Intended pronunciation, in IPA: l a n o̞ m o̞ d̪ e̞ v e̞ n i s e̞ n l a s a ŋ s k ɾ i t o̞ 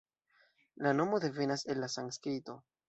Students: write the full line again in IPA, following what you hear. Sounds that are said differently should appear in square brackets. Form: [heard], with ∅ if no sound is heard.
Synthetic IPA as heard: l a n o̞ m o̞ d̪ e̞ v e̞ n [a] s e̞ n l a s a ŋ s k ɾ i t o̞